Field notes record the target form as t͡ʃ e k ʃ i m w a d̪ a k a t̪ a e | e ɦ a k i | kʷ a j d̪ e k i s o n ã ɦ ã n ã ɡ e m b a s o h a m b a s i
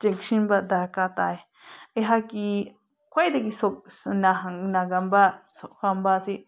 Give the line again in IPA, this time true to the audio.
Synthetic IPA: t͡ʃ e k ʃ i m b a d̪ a k a t̪ a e | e ɦ a k i | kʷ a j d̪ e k i s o n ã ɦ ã n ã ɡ a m b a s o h a m b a s i